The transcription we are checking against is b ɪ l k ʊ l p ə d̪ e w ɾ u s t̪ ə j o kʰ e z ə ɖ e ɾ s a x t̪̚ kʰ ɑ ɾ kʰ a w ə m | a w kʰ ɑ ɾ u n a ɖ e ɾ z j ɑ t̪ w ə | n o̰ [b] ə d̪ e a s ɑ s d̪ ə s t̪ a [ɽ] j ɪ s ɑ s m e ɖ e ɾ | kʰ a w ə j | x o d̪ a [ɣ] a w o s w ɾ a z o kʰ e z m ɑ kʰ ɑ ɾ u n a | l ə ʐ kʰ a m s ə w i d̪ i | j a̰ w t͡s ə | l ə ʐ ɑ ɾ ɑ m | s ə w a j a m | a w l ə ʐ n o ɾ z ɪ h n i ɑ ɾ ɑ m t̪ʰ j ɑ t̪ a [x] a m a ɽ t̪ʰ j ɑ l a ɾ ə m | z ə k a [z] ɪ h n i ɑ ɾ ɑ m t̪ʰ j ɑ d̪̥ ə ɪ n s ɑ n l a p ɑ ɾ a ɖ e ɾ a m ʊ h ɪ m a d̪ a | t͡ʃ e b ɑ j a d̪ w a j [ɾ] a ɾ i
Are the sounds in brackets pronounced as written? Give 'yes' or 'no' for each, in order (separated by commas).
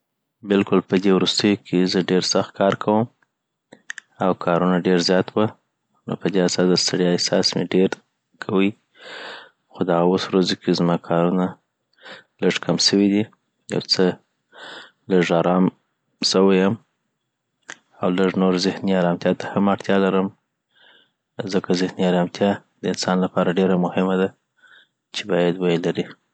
no, yes, yes, no, yes, no